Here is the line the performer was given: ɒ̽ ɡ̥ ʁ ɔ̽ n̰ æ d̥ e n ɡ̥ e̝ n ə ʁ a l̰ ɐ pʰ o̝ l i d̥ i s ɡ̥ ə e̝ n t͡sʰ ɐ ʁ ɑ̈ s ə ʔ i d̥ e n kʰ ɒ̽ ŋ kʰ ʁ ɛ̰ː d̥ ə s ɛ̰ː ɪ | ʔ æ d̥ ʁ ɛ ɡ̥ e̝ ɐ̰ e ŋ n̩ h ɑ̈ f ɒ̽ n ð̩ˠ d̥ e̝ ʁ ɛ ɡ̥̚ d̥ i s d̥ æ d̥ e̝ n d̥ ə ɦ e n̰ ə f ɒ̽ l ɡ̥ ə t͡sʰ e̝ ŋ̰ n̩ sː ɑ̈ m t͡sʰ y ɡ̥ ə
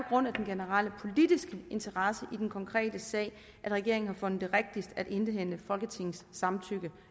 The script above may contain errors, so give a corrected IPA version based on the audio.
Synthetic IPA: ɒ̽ ɡ̥ ʁ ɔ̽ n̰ æ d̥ e n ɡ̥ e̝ n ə ʁ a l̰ ə pʰ o̝ l i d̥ i s ɡ̥ ə e̝ n t͡sʰ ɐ ʁ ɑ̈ s ə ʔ i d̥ e n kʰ ɒ̽ ŋ kʰ ʁ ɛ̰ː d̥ ə s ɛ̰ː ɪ | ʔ æ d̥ ʁ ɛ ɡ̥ e̝ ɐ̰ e ŋ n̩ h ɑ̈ f ɔ̽ n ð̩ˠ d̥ e̝ ʁ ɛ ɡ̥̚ d̥ i s d̥ æ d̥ e̝ n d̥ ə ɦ e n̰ ə f ɒ̽ l ɡ̥ ə t͡sʰ e̝ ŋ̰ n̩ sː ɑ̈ m t͡sʰ y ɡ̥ ə